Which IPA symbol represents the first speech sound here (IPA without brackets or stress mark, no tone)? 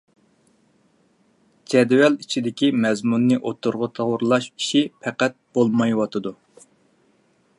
d͡ʒ